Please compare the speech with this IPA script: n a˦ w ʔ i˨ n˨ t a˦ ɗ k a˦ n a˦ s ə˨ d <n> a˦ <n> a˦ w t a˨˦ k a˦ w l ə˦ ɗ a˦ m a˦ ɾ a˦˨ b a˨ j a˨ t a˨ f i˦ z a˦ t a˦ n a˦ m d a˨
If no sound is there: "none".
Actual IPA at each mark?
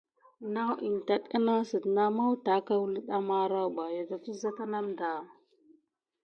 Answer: n, m

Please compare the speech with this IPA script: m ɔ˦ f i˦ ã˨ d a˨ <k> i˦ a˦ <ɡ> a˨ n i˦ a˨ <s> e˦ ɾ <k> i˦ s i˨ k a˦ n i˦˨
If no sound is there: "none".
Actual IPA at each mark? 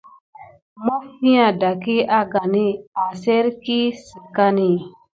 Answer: k, ɡ, s, k

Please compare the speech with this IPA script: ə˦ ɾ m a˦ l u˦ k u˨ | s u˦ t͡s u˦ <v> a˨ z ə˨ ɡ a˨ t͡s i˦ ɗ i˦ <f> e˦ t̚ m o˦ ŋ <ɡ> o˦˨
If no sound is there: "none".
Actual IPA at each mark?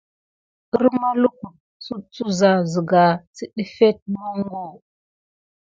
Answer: z, f, ɡ

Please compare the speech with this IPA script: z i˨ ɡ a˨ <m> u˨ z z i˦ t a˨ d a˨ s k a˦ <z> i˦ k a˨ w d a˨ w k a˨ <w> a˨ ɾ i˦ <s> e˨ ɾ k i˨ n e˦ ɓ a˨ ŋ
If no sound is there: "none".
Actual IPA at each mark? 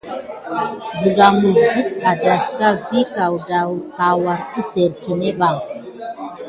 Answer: m, v, w, s

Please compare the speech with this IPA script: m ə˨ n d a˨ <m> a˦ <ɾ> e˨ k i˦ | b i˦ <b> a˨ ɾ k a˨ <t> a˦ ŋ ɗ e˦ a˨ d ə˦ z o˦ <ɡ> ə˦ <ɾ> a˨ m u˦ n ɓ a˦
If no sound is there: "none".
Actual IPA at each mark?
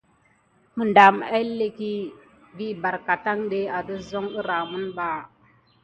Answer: m, l, b, t, ŋ, ɾ

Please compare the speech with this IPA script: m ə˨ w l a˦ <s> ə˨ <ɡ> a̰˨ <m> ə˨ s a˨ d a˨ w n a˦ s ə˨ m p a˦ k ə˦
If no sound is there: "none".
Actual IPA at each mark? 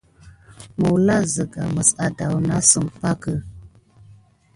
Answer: z, ɡ, m

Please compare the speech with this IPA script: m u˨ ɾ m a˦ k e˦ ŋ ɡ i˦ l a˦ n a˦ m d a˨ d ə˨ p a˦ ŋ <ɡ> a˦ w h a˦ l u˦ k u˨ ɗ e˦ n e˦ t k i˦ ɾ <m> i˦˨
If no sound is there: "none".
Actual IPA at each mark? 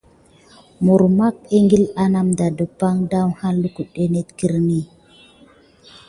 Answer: d, n

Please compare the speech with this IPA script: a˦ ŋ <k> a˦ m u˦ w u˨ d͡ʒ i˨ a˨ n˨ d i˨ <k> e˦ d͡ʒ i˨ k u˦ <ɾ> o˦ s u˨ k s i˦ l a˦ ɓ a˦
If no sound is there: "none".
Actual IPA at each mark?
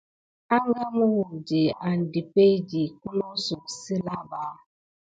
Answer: ɡ, p, l

